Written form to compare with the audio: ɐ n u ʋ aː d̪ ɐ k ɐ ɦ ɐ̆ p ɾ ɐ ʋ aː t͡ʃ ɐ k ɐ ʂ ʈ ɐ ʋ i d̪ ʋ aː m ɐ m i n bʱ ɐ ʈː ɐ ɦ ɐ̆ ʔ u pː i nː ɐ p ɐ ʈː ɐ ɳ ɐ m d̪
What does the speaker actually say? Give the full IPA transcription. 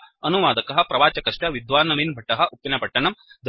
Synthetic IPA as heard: ɐ n u ʋ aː d̪ ɐ k ɐ ɦ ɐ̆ p ɾ ɐ ʋ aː t͡ʃ ɐ k ɐ ʂ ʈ ɐ ʋ i d̪ ʋ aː n ɐ m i n bʱ ɐ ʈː ɐ ɦ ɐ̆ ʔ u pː i n ɐ p ɐ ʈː ɐ ɳ ɐ m d̪